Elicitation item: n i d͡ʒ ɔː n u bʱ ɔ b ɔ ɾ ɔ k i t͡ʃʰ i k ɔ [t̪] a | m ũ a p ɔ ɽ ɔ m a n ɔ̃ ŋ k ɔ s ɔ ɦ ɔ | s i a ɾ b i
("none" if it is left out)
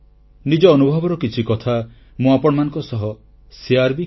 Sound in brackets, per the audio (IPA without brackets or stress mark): t̪ʰ